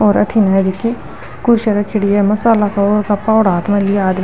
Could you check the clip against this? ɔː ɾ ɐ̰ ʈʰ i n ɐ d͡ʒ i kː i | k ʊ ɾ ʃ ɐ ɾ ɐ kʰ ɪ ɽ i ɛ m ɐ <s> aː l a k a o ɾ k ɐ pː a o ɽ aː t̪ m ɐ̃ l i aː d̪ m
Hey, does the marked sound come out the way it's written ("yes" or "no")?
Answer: yes